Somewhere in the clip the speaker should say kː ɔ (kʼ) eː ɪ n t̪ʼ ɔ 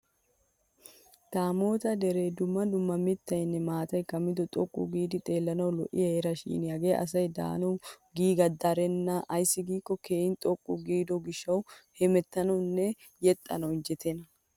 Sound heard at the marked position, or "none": k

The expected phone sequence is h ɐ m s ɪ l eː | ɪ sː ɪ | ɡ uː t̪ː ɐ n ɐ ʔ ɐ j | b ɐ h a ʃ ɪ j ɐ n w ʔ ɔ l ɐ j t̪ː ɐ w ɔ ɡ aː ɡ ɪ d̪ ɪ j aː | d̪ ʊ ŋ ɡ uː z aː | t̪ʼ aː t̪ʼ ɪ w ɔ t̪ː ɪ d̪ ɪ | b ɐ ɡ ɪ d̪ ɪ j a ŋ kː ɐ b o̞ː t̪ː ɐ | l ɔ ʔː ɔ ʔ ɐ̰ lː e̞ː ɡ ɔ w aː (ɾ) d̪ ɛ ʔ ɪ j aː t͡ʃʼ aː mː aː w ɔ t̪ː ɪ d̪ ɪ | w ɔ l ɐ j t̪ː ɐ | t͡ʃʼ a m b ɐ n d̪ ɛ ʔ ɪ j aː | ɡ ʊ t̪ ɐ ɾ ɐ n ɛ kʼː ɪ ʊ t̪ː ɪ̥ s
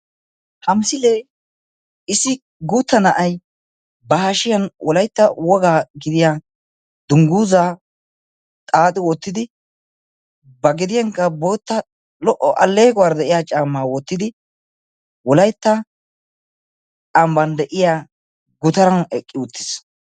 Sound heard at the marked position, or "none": ɾ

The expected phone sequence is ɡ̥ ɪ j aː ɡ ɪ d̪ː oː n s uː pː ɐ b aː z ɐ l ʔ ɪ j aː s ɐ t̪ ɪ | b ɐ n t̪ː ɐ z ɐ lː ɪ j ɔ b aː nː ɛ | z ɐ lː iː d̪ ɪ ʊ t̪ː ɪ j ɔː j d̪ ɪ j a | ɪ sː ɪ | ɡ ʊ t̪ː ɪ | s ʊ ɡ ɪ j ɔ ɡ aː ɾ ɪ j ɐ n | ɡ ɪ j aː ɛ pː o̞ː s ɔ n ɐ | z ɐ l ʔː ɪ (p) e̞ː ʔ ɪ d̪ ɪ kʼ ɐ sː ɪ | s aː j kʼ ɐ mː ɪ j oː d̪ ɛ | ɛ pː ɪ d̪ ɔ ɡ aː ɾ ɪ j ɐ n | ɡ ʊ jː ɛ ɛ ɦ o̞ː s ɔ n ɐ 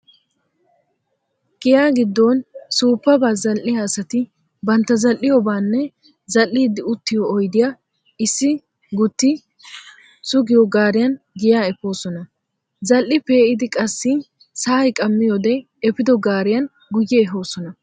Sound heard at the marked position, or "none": p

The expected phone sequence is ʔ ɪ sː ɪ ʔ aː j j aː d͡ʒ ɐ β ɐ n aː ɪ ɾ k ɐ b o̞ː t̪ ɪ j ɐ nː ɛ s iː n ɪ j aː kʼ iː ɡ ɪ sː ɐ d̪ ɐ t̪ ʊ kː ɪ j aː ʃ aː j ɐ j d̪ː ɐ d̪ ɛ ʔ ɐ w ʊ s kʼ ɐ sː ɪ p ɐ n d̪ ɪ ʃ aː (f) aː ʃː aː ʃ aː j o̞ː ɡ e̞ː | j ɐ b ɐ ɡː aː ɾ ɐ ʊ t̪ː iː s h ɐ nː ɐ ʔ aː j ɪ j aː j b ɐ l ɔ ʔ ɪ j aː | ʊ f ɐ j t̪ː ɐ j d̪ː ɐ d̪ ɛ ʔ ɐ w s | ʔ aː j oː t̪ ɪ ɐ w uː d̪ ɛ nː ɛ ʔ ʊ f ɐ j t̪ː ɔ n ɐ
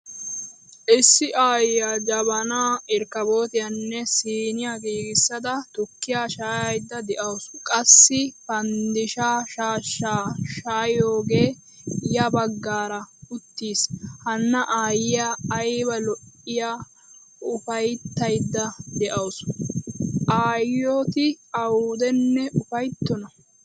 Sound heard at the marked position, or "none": ʃ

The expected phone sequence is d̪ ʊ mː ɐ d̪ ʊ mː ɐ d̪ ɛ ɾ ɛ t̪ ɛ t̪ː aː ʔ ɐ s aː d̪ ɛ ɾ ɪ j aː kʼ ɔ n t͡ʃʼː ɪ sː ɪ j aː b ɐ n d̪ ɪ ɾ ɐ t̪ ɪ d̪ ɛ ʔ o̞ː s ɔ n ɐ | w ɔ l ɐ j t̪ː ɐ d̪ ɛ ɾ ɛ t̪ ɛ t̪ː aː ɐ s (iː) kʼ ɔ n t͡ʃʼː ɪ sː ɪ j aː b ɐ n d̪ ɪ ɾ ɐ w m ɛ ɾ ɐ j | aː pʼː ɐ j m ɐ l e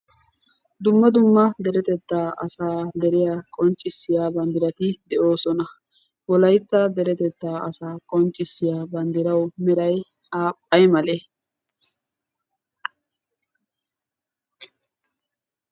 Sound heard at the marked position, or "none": aː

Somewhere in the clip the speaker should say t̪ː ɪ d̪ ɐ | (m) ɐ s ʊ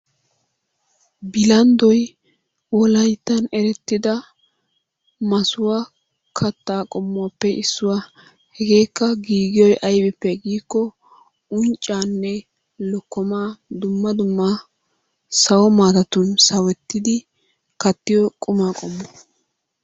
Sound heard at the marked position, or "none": m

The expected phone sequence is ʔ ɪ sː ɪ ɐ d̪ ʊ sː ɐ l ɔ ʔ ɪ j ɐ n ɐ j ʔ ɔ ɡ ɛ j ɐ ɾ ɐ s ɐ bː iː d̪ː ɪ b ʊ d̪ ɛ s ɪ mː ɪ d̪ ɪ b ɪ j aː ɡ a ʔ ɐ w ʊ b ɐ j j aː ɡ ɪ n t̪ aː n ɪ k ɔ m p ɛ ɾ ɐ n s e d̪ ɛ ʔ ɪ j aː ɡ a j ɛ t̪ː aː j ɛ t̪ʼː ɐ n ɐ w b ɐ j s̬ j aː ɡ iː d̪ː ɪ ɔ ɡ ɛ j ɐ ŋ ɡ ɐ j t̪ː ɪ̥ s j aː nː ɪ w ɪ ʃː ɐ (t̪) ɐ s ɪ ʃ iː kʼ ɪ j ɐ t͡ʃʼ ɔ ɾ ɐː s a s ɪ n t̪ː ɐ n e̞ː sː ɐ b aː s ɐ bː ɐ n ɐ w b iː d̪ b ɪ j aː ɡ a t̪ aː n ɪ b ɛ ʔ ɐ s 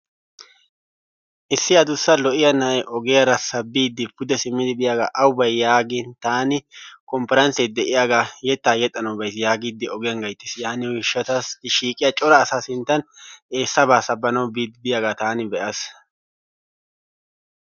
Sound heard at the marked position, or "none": t̪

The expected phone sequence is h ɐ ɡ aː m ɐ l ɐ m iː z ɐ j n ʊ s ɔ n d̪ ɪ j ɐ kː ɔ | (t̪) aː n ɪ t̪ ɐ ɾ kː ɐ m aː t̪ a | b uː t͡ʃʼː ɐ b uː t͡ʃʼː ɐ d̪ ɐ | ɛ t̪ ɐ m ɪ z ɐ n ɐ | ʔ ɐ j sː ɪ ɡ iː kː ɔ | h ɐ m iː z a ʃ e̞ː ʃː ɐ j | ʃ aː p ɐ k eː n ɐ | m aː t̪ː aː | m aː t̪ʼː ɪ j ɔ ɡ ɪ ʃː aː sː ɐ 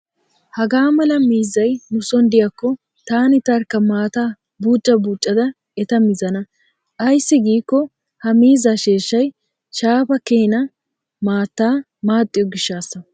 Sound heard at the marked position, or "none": t̪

